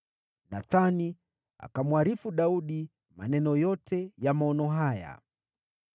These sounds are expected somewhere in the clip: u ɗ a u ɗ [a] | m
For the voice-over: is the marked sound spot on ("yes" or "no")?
no